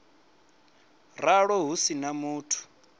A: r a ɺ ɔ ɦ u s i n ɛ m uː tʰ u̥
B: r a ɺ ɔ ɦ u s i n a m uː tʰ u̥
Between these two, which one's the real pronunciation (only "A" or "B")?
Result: B